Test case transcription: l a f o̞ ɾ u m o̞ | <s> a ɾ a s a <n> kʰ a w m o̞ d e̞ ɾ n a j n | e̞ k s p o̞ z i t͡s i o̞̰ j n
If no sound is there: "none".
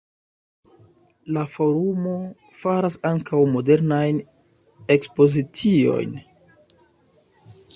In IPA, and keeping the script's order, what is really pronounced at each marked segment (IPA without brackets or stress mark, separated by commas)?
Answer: f, ŋ